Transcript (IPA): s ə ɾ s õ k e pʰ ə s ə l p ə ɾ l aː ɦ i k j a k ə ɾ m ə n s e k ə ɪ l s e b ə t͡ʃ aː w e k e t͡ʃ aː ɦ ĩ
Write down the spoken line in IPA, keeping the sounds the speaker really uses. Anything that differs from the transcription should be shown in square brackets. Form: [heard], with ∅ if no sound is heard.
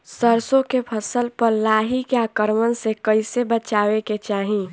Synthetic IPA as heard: s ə ɾ s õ k e pʰ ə s ə l p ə ɾ l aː ɦ i k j a k ə ɾ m ə n s e k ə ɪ [∅] s e b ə t͡ʃ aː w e k e t͡ʃ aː ɦ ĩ